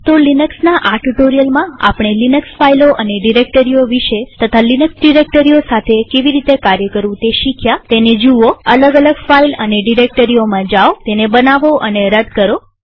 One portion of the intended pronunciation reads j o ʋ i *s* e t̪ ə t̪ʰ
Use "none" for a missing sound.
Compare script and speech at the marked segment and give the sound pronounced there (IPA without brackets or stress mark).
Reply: ʃ